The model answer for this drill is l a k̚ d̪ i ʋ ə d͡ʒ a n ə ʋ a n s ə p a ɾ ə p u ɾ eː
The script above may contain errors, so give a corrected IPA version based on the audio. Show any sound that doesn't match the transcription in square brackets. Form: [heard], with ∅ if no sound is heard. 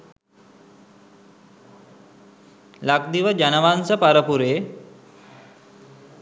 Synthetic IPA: l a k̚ d̪ i ʋ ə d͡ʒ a n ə ʋ a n s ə p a ɾ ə p u ɾ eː